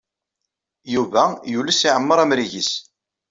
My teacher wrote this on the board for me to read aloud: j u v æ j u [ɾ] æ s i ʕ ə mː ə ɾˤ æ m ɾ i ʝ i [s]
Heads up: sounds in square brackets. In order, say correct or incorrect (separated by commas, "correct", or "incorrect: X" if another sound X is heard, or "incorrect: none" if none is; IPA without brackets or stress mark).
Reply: incorrect: l, correct